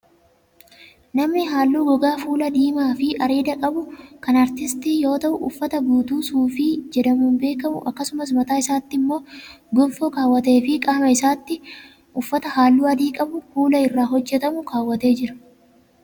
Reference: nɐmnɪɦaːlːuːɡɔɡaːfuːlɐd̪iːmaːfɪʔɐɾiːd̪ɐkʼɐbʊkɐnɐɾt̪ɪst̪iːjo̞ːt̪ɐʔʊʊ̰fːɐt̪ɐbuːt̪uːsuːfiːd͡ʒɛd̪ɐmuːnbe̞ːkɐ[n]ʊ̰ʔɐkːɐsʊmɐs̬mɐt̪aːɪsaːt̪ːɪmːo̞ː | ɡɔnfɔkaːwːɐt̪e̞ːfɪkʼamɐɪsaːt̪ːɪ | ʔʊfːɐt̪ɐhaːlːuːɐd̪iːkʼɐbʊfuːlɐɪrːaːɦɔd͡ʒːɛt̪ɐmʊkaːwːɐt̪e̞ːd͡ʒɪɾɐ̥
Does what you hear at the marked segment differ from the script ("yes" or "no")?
yes